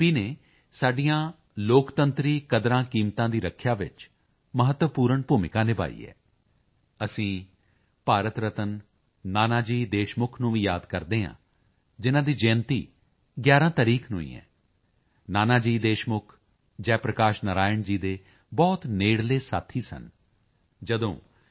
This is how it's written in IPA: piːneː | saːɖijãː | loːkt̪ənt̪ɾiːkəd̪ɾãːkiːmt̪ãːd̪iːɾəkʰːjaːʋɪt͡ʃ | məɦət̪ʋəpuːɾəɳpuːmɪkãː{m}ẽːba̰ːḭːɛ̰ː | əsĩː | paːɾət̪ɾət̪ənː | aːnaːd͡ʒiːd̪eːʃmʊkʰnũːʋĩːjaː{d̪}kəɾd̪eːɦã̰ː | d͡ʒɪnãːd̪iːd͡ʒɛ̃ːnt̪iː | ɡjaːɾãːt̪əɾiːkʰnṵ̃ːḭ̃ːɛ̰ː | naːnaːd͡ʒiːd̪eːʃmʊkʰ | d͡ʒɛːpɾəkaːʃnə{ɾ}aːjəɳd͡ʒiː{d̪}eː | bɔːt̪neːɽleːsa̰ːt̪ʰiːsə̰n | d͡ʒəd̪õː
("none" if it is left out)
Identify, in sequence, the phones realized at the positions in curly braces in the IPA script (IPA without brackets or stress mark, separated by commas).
n, d̪, ɾ, d̪